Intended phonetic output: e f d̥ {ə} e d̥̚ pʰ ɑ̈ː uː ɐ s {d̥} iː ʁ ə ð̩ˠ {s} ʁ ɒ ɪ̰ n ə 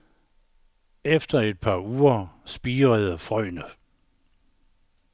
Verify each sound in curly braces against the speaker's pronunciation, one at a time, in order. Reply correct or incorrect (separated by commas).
incorrect, incorrect, incorrect